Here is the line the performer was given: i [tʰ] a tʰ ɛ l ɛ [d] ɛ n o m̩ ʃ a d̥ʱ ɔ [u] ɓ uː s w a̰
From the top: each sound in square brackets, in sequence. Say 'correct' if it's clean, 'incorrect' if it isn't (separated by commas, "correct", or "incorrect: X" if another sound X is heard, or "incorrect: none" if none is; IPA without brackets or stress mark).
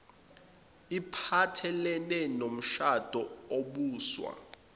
incorrect: pʰ, incorrect: n, incorrect: o